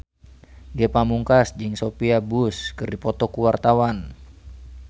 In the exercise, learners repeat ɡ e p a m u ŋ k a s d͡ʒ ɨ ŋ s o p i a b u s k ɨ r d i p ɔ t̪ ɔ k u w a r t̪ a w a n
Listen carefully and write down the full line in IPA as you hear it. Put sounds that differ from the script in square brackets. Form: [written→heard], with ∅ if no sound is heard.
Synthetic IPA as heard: ɡ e p a m u ŋ k a s d͡ʒ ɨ ŋ s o p i a b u s k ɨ r d i p ɔ t̪ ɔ k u w a r t̪ a w a n